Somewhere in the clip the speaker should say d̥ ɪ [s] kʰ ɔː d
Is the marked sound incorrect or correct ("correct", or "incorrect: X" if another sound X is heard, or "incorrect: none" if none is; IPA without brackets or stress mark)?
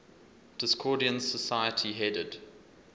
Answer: correct